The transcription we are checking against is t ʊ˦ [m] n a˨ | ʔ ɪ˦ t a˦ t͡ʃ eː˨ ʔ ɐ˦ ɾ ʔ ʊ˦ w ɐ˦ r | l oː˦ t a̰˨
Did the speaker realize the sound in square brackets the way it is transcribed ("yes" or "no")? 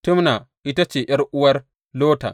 yes